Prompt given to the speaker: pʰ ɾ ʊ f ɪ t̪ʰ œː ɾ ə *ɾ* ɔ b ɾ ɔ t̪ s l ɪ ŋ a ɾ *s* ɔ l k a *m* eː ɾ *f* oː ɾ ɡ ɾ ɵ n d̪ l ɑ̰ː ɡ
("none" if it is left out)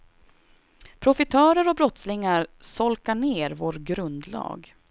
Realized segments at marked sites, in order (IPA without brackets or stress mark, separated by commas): ɾ, s, ɳ, v